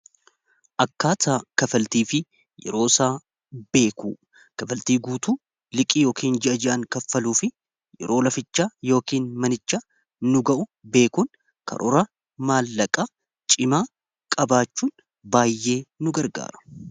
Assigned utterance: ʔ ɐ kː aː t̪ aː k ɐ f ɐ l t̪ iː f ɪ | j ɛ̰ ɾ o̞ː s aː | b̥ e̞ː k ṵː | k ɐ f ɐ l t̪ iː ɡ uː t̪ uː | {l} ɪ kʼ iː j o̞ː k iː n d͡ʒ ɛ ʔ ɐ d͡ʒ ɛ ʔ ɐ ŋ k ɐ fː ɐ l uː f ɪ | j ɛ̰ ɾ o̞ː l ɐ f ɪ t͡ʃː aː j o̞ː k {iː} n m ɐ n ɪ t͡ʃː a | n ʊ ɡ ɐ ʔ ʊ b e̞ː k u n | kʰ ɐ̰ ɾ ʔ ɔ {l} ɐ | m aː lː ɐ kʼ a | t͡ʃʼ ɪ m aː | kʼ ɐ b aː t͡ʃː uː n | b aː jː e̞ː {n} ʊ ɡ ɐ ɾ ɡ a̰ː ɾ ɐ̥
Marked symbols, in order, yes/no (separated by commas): yes, yes, no, yes